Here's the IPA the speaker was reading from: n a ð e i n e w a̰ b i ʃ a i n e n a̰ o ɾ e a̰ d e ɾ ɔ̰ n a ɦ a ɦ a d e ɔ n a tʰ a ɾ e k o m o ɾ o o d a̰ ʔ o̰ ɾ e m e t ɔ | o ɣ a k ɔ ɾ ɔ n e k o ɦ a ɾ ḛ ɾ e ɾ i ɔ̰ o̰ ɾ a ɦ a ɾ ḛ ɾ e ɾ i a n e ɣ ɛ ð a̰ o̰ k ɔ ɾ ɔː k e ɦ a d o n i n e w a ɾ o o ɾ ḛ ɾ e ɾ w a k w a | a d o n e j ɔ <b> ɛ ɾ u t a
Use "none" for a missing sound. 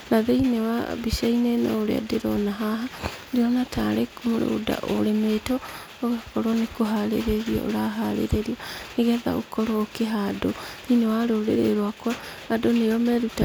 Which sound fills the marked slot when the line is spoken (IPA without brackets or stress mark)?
m